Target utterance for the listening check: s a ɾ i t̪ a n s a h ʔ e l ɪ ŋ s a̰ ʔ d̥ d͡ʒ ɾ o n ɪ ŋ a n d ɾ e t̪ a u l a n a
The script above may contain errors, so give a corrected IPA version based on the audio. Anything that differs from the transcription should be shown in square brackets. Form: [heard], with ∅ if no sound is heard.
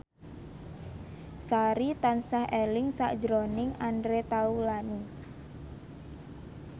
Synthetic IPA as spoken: s a ɾ i t̪ a n s a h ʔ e l ɪ ŋ s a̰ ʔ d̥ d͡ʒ ɾ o n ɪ ŋ a n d ɾ e t̪ a u l a n [i]